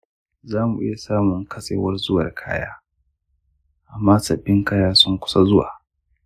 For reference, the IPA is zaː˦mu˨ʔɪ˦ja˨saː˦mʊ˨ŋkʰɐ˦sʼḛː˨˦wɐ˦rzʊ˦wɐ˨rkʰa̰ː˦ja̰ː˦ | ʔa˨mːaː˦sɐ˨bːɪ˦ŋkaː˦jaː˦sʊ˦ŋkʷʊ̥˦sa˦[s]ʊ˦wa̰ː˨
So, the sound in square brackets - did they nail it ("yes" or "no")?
no